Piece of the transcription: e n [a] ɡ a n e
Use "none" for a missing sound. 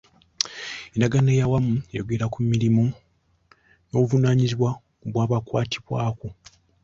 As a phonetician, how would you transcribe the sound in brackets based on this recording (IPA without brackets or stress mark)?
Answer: a